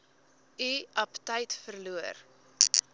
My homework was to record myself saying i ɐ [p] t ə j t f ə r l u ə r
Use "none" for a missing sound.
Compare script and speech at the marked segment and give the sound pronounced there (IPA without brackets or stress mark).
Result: p